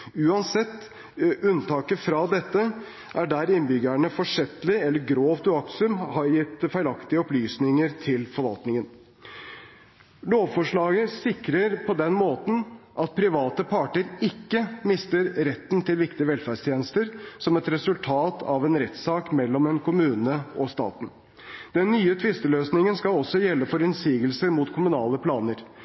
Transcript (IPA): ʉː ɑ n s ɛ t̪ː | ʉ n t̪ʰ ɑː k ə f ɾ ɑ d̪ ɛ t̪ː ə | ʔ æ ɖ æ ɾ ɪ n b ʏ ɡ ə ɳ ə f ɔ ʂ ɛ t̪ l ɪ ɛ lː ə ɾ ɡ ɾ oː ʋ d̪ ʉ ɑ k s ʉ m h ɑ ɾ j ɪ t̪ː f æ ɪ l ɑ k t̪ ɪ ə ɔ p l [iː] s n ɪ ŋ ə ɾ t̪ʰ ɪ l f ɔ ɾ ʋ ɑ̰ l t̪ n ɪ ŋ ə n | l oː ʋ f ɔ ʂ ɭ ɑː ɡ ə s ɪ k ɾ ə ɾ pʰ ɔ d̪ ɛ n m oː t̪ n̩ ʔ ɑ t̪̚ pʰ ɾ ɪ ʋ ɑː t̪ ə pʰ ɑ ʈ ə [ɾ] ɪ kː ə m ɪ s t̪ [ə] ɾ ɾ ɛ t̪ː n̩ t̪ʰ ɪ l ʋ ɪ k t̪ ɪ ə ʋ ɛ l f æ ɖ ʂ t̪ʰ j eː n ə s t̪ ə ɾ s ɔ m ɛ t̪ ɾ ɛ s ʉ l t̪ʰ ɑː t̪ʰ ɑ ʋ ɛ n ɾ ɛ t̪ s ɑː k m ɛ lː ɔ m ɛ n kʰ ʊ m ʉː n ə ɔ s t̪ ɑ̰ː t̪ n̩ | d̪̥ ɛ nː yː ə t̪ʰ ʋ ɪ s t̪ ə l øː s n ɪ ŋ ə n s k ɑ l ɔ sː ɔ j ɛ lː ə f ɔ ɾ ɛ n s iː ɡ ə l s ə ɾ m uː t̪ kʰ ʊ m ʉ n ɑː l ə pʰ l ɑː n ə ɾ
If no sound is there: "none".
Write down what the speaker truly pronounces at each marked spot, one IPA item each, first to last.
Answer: yː, ɾ, ə

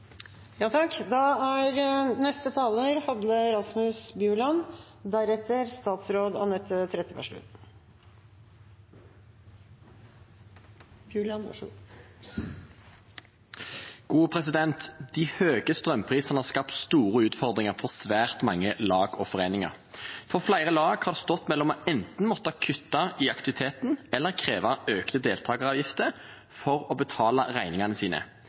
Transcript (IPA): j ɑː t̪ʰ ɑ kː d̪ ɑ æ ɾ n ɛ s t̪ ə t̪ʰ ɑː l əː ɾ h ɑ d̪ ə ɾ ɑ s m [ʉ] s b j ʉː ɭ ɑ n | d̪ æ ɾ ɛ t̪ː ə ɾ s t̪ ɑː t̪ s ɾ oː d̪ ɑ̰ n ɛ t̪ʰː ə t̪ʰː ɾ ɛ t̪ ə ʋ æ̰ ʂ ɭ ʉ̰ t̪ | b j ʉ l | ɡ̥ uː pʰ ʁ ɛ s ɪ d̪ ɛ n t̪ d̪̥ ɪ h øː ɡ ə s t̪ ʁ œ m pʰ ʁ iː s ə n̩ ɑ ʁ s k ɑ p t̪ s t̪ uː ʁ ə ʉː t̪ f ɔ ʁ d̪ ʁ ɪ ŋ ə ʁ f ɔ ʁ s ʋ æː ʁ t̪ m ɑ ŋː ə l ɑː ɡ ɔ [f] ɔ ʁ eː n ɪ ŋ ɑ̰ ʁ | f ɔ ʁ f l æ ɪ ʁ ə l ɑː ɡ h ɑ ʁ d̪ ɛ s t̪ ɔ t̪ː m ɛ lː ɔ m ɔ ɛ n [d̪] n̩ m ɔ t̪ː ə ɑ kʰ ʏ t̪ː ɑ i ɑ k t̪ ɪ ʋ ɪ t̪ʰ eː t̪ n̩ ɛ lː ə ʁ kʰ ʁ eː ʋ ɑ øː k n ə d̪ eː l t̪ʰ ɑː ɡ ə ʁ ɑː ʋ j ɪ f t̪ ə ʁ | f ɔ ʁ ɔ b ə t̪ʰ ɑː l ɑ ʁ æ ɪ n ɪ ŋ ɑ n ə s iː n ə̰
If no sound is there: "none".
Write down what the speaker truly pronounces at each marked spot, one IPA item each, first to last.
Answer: ʉ, f, t̪

